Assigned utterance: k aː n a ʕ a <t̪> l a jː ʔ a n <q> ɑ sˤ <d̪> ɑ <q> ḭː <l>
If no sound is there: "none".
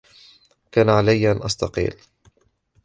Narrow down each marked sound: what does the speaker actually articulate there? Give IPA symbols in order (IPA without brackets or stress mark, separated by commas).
none, ʔ, t̪, q, l